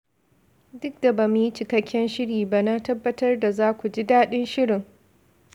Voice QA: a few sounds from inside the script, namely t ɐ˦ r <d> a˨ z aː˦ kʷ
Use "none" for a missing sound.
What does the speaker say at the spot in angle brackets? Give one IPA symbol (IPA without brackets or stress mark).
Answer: d